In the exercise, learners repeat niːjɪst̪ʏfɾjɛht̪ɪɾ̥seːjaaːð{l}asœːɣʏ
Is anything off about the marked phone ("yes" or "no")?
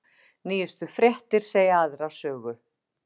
yes